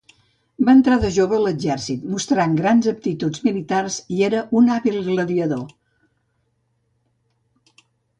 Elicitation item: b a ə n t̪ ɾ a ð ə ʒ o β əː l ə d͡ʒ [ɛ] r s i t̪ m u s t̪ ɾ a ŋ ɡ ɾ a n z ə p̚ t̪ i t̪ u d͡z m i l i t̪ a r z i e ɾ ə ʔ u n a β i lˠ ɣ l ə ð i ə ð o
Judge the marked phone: correct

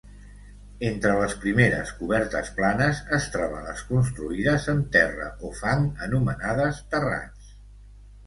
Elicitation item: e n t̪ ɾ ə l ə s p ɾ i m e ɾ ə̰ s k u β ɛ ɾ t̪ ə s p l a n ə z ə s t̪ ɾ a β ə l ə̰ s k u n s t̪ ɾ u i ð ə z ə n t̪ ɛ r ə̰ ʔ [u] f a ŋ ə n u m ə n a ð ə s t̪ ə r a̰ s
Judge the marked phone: incorrect: o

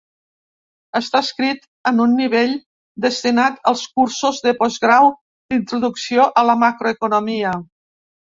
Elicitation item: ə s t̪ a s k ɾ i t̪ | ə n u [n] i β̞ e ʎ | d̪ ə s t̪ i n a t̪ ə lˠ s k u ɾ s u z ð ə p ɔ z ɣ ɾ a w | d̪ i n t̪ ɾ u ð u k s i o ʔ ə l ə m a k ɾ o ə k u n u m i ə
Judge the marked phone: incorrect: nː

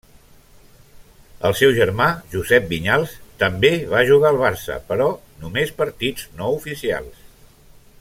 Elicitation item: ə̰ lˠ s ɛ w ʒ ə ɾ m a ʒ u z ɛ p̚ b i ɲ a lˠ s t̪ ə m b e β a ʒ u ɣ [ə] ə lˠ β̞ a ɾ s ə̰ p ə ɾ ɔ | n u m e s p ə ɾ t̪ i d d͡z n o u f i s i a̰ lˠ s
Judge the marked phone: incorrect: a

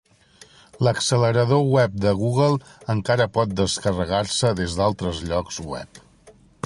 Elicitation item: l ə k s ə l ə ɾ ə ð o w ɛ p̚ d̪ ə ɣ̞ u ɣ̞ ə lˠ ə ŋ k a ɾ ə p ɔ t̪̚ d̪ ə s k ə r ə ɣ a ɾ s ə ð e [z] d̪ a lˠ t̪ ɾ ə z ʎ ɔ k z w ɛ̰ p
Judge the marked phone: correct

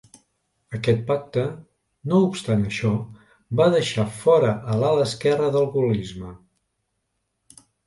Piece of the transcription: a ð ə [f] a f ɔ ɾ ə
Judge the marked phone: incorrect: ʃ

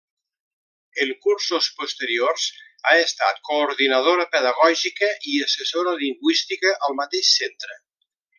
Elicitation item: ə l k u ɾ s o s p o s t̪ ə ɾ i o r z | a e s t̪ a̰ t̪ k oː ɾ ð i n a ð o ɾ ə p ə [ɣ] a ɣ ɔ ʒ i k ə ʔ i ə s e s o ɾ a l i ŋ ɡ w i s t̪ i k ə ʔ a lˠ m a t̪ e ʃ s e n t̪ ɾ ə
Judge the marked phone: incorrect: ð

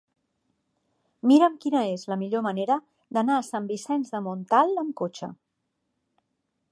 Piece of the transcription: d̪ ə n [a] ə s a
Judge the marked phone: correct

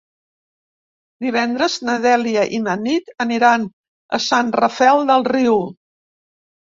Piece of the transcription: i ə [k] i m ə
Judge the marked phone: incorrect: ʔ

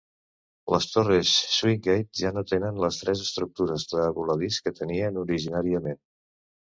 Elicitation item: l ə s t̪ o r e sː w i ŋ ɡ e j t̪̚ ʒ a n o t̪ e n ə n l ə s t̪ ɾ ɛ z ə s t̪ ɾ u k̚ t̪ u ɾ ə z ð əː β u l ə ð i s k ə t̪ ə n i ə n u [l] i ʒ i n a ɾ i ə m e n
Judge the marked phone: incorrect: ɾ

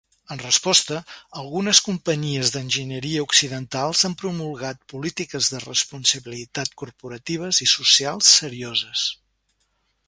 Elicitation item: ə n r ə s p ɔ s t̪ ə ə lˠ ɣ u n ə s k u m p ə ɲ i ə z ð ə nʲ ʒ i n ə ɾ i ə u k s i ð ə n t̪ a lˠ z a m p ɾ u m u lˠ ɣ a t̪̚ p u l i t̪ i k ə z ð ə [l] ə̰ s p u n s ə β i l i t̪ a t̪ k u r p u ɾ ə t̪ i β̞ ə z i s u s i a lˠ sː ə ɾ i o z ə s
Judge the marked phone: incorrect: r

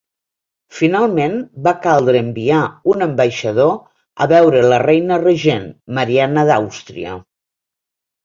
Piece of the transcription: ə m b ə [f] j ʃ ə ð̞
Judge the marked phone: incorrect: none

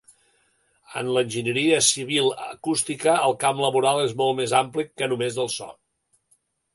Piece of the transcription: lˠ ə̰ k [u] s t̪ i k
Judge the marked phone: correct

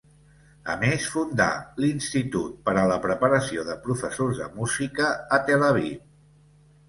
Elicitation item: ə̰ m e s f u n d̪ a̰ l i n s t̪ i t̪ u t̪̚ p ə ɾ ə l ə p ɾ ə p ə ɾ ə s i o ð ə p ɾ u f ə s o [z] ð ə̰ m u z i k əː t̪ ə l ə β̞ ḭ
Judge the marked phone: correct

